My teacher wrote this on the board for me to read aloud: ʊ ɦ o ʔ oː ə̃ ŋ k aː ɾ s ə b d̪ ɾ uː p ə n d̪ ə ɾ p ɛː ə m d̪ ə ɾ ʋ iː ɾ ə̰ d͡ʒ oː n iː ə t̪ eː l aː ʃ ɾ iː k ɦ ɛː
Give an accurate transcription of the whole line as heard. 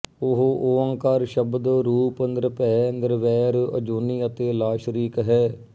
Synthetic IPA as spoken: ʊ ɦ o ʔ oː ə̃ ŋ k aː ɾ ʃ ə b d̪ ɾ uː p ə n d̪ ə ɾ p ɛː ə n d̪ ə ɾ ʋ ɛː ɾ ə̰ d͡ʒ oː n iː ə t̪ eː l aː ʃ ɾ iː k ɦ ɛː